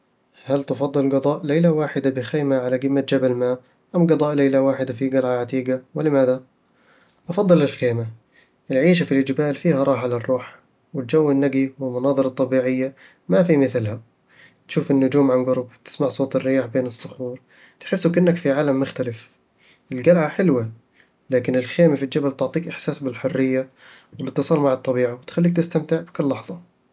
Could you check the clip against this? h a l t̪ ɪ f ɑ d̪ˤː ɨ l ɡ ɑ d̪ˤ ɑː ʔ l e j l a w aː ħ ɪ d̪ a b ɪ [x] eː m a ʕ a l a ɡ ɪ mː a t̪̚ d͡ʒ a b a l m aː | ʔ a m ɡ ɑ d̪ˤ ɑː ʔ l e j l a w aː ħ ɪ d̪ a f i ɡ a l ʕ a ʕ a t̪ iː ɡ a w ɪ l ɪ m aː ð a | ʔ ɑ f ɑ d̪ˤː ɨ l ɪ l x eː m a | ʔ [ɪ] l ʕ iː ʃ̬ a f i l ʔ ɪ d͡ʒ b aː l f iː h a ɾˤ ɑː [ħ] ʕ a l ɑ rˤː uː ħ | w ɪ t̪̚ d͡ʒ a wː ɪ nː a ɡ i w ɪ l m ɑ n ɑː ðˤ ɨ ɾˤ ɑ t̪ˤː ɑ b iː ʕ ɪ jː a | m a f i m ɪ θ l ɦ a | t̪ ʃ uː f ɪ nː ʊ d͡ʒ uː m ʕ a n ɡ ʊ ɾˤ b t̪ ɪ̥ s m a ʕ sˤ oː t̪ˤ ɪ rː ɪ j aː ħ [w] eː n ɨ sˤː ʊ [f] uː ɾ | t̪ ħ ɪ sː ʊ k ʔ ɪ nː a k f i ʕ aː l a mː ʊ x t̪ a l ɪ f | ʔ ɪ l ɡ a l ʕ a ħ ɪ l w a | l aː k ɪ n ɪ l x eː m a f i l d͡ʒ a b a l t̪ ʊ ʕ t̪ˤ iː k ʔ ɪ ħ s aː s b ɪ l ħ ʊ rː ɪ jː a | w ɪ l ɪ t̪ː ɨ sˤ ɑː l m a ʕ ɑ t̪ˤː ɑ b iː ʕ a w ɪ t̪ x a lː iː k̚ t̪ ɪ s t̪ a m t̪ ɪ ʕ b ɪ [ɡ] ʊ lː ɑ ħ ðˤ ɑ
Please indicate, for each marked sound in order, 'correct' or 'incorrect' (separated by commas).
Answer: correct, correct, correct, incorrect, incorrect, incorrect